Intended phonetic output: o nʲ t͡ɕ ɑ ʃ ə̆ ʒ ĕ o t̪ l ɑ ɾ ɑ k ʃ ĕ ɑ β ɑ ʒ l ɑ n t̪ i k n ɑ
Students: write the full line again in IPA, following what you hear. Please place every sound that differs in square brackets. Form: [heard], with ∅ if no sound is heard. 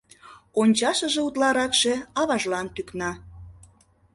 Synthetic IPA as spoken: o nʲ t͡ɕ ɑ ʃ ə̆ ʒ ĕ [u] t̪ l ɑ ɾ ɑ k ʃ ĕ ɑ β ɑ ʒ l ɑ n t̪ [y] k n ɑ